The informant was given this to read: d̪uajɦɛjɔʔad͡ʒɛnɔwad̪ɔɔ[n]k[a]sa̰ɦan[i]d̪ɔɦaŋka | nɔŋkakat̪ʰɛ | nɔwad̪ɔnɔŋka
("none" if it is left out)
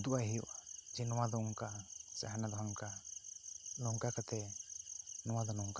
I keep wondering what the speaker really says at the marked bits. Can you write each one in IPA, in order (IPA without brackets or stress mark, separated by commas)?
ŋ, a, a